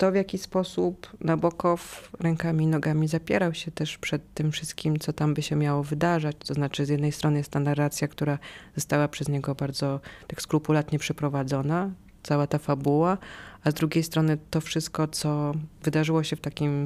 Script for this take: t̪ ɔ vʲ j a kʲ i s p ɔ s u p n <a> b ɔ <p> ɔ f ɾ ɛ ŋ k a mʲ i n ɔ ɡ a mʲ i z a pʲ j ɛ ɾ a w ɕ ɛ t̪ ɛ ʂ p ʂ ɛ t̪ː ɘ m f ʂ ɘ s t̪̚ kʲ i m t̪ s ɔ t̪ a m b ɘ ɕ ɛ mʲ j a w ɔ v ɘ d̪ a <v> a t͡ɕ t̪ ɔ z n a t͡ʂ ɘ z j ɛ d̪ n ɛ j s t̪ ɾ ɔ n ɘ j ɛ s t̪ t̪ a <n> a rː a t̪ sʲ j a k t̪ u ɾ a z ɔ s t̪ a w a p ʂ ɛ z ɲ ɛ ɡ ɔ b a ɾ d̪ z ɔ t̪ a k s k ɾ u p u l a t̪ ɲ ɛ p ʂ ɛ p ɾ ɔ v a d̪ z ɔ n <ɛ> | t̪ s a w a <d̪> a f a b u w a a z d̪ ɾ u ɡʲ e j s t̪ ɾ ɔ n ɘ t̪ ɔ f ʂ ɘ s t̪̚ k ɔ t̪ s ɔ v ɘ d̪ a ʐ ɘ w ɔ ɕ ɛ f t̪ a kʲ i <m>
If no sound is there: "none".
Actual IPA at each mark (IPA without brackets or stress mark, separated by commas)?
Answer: a, k, ʐ, n, a, t̪, m